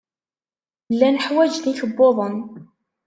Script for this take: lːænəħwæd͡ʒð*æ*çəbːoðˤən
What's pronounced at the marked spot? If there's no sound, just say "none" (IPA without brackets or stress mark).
i